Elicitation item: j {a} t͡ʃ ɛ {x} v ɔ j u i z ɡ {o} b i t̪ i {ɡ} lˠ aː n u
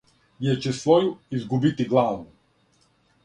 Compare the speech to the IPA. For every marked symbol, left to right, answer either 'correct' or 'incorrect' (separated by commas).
incorrect, incorrect, incorrect, correct